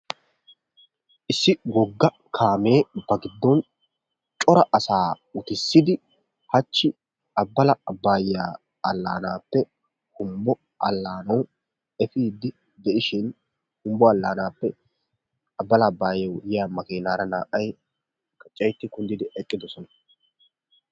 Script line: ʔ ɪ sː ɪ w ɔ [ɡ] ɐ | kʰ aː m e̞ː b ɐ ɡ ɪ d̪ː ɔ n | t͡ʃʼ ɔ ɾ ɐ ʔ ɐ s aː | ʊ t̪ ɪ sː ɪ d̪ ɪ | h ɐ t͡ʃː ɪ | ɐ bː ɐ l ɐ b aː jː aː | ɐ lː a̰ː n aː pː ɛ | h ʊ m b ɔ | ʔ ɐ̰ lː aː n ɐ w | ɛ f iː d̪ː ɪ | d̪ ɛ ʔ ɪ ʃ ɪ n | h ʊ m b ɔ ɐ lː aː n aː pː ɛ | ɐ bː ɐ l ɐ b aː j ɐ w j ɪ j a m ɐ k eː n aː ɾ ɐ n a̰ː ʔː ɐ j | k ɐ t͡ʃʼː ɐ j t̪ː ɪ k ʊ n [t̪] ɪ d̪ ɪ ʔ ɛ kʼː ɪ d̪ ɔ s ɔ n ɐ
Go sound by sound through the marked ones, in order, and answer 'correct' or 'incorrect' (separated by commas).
incorrect, incorrect